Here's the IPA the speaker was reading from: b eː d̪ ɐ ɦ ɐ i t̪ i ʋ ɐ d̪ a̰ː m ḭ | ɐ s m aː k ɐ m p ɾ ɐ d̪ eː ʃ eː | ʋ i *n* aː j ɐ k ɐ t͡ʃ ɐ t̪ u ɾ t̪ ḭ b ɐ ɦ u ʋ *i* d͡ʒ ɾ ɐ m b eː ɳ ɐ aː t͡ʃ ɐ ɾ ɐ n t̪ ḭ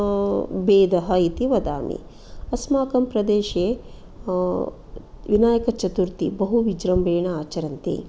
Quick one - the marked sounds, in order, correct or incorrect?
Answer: correct, correct

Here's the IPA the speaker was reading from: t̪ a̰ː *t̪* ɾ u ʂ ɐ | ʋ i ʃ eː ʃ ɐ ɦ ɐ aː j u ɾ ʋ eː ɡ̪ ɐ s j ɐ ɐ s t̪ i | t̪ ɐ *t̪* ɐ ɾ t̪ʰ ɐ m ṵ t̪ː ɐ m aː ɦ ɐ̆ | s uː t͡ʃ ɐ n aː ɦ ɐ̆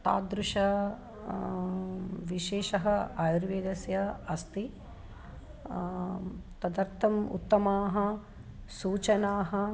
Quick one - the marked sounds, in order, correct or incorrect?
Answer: incorrect: d̪, incorrect: d̪

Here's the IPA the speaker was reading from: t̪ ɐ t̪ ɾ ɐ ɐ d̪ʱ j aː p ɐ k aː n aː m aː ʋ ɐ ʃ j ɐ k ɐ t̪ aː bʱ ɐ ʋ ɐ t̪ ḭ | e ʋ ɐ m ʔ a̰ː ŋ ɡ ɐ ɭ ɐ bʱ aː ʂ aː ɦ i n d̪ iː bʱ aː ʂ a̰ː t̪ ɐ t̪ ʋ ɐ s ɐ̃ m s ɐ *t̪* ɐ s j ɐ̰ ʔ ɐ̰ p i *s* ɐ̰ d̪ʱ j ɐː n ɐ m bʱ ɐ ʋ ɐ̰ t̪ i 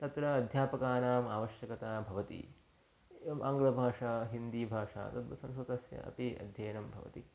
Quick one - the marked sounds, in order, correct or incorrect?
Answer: correct, incorrect: none

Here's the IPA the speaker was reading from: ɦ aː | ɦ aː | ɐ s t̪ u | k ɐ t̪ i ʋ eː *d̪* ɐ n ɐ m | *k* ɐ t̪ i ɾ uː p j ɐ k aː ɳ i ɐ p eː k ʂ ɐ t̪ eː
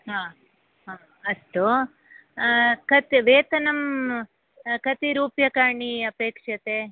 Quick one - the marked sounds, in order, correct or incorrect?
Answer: incorrect: t̪, correct

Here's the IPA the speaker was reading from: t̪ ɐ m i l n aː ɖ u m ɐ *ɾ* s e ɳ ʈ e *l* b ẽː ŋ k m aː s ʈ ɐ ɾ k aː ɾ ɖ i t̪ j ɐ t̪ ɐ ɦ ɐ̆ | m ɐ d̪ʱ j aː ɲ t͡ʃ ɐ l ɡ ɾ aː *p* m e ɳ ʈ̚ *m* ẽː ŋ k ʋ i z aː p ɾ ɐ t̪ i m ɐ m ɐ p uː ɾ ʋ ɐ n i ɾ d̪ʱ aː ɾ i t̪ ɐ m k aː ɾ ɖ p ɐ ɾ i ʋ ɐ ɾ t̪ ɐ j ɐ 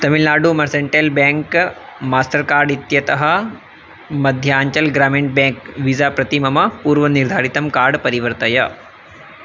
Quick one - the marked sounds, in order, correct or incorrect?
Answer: correct, correct, incorrect: none, incorrect: b

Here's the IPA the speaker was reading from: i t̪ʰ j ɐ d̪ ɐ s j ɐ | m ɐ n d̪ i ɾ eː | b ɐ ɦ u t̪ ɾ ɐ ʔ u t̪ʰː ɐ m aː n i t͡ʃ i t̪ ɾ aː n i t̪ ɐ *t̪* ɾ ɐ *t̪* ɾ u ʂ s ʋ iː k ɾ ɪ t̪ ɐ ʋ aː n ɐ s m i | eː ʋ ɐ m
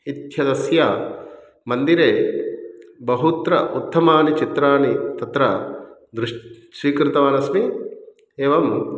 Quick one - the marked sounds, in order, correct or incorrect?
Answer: correct, incorrect: d̪

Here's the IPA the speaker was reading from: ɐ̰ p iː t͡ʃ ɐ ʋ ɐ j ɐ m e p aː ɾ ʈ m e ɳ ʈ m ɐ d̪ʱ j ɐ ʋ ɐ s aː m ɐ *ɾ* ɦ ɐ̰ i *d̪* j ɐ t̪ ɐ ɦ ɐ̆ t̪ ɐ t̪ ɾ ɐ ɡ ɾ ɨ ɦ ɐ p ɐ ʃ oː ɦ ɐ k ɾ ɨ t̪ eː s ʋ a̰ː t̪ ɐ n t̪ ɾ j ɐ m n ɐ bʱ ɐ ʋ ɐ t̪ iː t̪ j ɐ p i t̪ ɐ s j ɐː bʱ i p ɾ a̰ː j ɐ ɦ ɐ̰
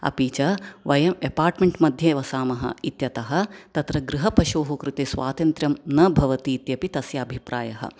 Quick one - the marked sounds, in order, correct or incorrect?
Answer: incorrect: none, incorrect: t̪

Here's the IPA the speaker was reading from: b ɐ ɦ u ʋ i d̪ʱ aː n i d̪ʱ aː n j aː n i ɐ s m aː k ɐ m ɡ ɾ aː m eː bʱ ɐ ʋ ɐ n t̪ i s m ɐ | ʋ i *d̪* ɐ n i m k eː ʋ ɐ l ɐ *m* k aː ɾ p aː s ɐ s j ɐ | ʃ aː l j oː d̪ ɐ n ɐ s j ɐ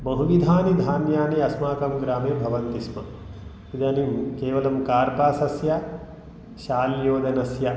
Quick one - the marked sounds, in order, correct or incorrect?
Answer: correct, correct

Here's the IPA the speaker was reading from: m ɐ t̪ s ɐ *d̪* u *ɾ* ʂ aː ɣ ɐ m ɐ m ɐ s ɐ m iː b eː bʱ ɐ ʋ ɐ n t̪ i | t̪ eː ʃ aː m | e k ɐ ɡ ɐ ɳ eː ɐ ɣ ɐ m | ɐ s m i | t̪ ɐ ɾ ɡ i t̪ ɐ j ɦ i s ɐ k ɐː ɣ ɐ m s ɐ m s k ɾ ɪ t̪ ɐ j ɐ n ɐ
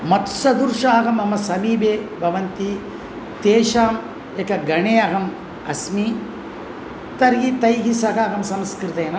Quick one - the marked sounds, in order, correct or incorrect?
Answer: correct, correct

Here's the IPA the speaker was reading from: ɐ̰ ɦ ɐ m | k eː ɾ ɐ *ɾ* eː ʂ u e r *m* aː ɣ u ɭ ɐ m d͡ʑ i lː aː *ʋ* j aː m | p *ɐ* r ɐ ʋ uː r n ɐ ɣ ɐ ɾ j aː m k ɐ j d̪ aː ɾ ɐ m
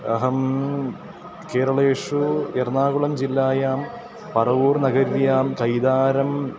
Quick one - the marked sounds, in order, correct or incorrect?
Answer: incorrect: ɭ, incorrect: n, incorrect: none, correct

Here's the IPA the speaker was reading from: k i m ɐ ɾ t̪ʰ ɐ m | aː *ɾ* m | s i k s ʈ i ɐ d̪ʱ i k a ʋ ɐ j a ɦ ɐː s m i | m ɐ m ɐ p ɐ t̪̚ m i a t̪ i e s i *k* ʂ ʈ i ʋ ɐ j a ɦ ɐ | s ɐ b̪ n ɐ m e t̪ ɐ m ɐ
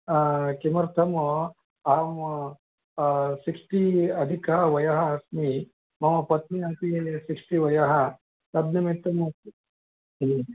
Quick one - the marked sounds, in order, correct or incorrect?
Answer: incorrect: none, correct

